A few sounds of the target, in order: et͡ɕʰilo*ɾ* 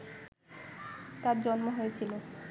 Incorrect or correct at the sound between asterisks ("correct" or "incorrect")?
incorrect